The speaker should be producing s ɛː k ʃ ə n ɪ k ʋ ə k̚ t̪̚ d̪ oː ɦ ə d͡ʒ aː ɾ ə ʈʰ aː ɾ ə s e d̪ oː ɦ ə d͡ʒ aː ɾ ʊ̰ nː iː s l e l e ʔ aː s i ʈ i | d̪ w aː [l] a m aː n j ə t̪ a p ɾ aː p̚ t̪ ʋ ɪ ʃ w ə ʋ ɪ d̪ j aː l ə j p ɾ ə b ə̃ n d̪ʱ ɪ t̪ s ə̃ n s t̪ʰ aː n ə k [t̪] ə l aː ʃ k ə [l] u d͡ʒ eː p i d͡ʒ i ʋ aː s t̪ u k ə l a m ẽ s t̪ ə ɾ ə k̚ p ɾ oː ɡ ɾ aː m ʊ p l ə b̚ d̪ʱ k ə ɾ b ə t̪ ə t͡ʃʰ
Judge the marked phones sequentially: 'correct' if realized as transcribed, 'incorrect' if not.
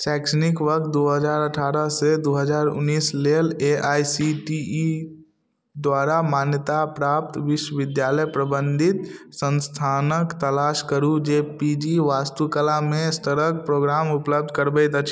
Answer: incorrect: ɾ, correct, incorrect: ɾ

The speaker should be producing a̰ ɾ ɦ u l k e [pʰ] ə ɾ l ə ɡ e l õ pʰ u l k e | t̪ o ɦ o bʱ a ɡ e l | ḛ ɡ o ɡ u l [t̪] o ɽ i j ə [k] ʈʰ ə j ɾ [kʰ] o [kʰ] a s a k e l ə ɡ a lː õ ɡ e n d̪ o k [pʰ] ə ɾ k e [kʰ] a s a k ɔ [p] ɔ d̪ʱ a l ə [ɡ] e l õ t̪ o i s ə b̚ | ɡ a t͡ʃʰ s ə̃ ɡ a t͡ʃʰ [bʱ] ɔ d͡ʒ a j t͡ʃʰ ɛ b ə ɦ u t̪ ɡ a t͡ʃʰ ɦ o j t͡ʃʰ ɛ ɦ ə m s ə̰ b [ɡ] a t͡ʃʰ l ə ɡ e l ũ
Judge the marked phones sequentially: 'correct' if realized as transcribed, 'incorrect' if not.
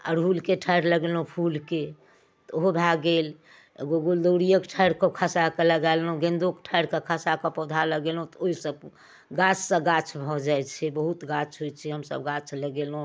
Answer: incorrect: ʈʰ, incorrect: d̪, correct, incorrect: k, correct, incorrect: ʈʰ, correct, correct, correct, correct, correct

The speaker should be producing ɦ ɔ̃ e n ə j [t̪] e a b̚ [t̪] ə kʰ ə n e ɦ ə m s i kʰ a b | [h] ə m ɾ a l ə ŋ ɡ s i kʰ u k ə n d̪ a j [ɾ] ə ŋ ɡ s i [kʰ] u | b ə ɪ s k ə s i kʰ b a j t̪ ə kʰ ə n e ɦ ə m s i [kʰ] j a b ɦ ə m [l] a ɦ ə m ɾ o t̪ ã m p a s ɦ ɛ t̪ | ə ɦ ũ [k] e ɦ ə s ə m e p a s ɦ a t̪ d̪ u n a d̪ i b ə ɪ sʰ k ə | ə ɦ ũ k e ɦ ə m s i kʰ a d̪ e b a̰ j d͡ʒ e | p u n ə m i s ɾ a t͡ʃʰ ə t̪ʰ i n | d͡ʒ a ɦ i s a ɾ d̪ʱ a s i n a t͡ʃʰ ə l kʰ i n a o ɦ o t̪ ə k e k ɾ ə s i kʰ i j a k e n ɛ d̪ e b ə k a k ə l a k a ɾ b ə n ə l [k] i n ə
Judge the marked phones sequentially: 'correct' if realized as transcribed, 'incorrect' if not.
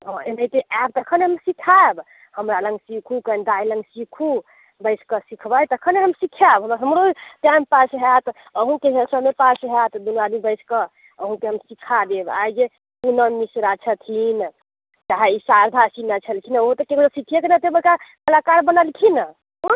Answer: correct, correct, correct, incorrect: l, correct, correct, incorrect: ɾ, correct, incorrect: kʰ

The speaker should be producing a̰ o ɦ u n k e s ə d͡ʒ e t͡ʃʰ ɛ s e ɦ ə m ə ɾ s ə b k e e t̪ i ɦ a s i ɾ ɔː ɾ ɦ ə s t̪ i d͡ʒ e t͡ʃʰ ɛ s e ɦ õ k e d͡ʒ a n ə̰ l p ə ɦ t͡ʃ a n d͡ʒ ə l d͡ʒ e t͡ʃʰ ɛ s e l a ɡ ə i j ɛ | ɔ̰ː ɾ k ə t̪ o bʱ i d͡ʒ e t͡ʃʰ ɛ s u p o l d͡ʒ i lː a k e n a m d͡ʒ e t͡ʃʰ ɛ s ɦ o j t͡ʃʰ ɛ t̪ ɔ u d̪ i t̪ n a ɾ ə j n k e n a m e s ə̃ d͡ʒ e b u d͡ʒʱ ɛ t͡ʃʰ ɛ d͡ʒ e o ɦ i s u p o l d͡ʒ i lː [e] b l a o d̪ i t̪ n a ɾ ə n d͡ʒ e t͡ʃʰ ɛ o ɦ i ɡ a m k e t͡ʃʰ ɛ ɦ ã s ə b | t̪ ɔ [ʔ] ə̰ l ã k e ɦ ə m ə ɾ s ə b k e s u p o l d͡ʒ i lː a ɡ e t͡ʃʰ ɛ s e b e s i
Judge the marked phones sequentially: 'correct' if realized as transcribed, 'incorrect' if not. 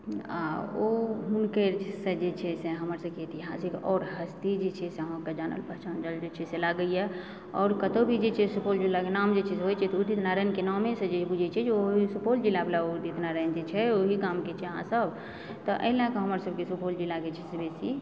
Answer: incorrect: a, correct

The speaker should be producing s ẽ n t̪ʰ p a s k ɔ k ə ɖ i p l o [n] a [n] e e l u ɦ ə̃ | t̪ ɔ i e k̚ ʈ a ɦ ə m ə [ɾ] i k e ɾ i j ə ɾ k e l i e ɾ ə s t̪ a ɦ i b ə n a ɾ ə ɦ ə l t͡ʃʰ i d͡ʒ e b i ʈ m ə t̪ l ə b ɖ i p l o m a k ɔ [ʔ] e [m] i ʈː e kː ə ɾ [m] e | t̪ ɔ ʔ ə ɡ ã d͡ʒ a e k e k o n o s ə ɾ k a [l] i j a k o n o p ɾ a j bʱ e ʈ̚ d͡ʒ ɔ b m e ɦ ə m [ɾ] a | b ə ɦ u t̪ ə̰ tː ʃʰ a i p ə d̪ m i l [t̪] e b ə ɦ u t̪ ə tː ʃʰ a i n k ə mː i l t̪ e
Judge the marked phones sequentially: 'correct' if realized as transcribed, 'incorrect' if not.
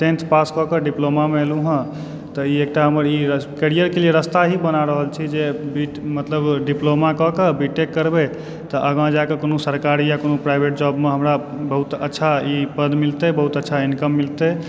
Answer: incorrect: m, incorrect: m, correct, incorrect: k, incorrect: b, incorrect: b, incorrect: ɾ, correct, correct

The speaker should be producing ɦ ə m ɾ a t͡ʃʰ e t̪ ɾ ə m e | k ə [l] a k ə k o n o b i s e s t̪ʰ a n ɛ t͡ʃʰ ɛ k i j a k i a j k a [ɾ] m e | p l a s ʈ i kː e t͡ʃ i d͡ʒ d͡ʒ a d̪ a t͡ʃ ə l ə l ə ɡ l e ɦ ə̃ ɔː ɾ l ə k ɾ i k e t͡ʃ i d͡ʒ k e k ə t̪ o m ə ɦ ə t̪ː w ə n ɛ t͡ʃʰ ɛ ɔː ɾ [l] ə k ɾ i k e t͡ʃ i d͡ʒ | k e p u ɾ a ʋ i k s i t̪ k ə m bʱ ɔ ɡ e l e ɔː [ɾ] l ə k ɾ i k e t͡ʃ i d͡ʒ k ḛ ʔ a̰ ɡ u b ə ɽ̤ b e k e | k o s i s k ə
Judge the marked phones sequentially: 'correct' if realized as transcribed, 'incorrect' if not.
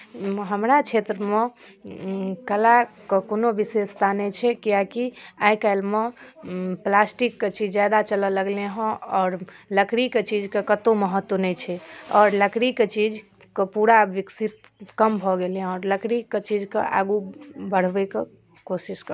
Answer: correct, incorrect: l, correct, correct

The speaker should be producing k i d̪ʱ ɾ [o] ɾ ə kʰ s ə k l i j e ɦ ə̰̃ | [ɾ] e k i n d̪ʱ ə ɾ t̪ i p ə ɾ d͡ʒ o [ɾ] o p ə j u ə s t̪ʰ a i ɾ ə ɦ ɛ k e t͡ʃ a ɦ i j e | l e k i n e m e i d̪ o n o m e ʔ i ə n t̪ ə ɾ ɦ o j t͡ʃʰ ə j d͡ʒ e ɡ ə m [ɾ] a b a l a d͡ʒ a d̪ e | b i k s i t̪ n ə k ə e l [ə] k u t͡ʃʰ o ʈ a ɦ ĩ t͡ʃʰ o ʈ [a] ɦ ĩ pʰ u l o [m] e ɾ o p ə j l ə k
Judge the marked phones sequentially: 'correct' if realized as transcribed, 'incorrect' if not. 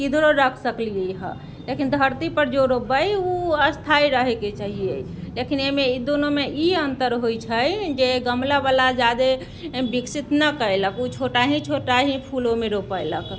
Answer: correct, incorrect: l, correct, incorrect: l, correct, correct, correct

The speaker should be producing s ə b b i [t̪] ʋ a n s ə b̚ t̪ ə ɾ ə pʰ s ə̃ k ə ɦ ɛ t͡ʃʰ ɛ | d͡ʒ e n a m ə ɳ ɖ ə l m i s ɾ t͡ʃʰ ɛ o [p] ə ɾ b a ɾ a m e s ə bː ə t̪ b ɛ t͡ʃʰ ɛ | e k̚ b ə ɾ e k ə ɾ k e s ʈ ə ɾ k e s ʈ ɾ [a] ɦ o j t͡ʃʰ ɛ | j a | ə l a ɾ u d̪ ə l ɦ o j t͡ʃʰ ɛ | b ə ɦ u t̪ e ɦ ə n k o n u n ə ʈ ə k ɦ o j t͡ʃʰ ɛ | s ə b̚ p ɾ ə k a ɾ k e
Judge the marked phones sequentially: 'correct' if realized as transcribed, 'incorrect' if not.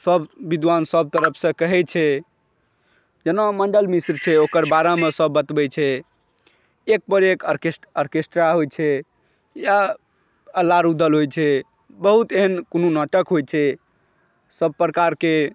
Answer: incorrect: d̪, incorrect: k, correct

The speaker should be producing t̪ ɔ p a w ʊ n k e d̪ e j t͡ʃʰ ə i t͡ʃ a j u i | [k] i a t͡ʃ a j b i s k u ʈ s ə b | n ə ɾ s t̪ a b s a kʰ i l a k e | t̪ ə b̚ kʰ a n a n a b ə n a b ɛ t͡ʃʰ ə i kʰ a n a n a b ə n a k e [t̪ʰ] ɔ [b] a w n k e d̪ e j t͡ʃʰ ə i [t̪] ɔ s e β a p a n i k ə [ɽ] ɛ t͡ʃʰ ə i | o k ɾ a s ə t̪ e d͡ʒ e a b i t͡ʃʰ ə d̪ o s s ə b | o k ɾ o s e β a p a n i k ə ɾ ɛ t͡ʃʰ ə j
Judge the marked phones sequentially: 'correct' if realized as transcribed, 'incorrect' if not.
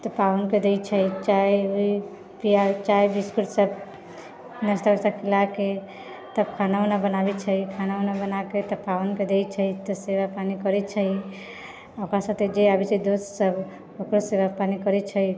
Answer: incorrect: p, incorrect: t̪, incorrect: p, correct, incorrect: ɾ

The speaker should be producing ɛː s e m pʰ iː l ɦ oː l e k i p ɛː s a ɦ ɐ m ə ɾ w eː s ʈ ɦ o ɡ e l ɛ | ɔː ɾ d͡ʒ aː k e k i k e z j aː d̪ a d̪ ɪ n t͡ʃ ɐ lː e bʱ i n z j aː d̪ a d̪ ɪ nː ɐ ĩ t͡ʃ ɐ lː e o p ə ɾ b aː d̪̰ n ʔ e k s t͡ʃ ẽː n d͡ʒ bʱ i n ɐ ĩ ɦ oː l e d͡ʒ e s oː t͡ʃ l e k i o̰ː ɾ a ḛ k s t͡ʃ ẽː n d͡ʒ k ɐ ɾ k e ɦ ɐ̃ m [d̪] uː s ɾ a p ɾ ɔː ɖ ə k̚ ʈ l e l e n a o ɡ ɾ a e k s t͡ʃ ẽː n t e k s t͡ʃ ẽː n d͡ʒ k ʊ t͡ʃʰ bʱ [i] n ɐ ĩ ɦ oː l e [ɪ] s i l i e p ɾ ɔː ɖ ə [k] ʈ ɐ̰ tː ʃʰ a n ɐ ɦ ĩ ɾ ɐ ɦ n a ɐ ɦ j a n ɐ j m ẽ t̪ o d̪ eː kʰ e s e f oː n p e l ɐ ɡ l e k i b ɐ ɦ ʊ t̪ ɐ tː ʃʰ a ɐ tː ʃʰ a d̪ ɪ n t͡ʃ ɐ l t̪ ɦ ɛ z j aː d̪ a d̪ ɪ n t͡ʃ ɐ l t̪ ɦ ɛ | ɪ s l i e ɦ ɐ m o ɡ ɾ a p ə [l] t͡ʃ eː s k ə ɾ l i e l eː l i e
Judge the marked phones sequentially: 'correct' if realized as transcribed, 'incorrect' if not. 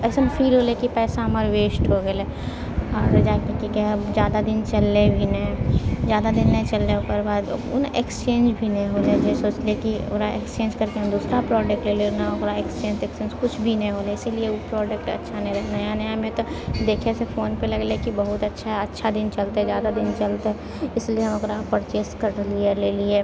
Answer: correct, correct, correct, correct, incorrect: ɾ

